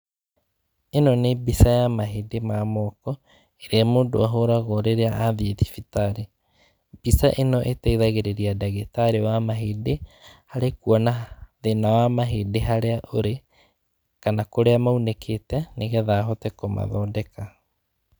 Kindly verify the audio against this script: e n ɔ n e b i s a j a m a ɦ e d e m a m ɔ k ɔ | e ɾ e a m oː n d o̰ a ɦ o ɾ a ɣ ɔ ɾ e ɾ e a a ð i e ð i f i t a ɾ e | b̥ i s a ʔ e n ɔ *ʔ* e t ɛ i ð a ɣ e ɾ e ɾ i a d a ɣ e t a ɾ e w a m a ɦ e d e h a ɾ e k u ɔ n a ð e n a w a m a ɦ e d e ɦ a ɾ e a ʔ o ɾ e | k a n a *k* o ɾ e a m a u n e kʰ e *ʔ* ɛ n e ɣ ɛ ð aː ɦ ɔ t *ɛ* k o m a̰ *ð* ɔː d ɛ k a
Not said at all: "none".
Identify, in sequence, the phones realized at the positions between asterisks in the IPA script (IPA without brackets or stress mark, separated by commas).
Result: ʔ, k, t, ɛ, ð